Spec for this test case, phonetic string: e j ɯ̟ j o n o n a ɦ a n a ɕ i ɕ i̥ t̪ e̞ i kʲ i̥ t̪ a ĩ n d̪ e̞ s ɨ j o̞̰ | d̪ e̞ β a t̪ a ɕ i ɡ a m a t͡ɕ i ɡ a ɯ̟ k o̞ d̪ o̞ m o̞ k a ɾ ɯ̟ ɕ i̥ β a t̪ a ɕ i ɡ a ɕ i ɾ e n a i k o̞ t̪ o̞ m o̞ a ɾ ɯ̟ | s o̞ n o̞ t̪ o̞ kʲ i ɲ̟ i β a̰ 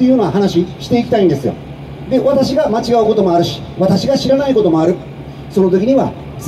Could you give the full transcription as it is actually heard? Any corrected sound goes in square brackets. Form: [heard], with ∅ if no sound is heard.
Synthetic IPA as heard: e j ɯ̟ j o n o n a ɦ a n a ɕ i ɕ i̥ t̪ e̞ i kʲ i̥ t̪ a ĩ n d̪ e̞ s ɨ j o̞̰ | d̪ e̞ β a t̪ a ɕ i ɡ a m a t͡ɕ i ɡ a ɯ̟ k o̞ [t̪] o̞ m o̞ [∅] a ɾ ɯ̟ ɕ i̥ β a t̪ a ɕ i ɡ a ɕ i ɾ [a] n a i k o̞ t̪ o̞ m o̞ a ɾ ɯ̟ | s o̞ n o̞ t̪ o̞ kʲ i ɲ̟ i β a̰